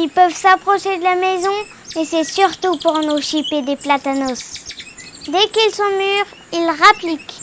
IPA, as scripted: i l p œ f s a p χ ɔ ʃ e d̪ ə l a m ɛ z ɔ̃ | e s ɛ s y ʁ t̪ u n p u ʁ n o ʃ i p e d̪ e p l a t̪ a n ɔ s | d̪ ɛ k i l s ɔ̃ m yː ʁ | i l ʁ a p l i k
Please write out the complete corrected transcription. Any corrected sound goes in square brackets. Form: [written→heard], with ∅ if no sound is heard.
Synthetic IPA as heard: i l p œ [f→v] s a p χ ɔ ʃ e d̪ ə l a m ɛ z ɔ̃ | e s ɛ s y ʁ t̪ u [n→∅] p u ʁ n o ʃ i p e d̪ e p l a t̪ a n ɔ s | d̪ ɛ k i l s ɔ̃ m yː ʁ | i l ʁ a p l i k